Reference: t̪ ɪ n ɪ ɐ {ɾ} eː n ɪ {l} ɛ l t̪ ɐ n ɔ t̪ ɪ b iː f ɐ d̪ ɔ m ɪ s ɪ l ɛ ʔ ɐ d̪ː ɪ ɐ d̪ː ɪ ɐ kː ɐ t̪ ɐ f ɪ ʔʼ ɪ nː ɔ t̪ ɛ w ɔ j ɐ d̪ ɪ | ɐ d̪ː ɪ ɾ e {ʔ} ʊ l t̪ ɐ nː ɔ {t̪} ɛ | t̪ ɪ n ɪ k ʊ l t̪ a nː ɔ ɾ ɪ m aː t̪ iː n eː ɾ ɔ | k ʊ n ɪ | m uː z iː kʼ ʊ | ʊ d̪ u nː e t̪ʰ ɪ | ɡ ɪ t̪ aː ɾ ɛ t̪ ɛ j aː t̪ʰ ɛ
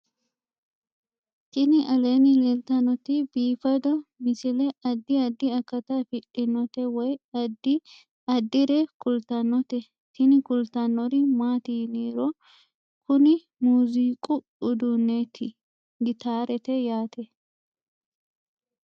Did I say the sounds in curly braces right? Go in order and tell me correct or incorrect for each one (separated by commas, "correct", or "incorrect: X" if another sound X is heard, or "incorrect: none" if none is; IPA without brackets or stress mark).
incorrect: l, correct, incorrect: k, correct